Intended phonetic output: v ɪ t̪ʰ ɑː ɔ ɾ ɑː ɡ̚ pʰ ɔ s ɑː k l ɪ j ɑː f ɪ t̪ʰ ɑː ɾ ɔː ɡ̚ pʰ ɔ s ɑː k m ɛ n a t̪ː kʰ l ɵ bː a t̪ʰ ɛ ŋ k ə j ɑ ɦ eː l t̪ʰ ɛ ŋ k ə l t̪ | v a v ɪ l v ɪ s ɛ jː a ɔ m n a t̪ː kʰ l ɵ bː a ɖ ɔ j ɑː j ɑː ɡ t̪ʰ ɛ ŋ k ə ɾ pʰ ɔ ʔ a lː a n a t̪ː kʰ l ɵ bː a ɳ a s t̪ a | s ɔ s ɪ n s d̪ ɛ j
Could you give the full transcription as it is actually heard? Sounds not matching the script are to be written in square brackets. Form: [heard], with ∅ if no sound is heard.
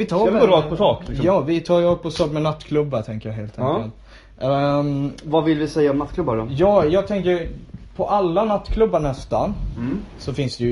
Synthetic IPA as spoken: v ɪ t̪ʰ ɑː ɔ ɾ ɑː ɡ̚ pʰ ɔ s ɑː k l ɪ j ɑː [v] ɪ t̪ʰ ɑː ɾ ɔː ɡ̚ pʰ ɔ s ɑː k m ɛ n a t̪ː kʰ l ɵ bː a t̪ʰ ɛ ŋ k ə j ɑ ɦ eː l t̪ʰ ɛ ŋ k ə l t̪ | v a v ɪ l v ɪ s ɛ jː a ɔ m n a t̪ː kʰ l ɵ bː a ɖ ɔ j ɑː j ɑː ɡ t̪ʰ ɛ ŋ k ə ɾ pʰ ɔ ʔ a lː a n a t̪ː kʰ l ɵ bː a ɳ [ɛ] s t̪ a | s ɔ [f] ɪ n s d̪ ɛ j